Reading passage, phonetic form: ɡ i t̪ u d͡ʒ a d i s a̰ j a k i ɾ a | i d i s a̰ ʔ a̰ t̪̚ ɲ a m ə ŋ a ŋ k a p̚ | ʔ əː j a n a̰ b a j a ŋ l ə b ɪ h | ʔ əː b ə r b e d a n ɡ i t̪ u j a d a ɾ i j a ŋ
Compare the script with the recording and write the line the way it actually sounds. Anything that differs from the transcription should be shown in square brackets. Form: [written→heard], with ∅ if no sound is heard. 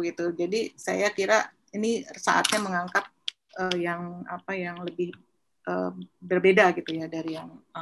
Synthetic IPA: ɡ i t̪ u d͡ʒ a d i s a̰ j a k i ɾ a | i [d→n] i s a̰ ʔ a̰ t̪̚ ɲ a m ə ŋ a ŋ k a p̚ | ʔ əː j a [n→ŋ] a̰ [b→p] a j a ŋ l ə b ɪ h | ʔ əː b ə r b e d a [n→∅] ɡ i t̪ u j a d a ɾ i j a ŋ